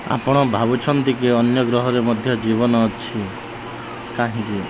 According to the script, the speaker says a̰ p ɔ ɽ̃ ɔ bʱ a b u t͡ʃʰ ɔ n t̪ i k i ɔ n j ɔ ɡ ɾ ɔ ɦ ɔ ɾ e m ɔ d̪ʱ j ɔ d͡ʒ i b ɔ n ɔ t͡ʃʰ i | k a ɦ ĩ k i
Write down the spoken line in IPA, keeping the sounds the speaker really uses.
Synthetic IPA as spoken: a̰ p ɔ ɽ̃ ɔ bʱ a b u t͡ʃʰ ɔ n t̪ i k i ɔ n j ɔ ɡ ɾ ɔ ɦ ɔ ɾ e m ɔ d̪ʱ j ɔ d͡ʒ i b ɔ n ɔ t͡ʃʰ i | k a ɦ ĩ k i